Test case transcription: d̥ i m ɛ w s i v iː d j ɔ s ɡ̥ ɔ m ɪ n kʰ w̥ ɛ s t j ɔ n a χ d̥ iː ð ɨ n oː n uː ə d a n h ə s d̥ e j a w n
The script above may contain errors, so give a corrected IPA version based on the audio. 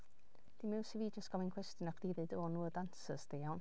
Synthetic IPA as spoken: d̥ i m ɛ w s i v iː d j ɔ s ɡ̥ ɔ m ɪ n kʰ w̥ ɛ s t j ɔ n a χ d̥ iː ð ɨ d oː n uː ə d a n s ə s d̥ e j a w n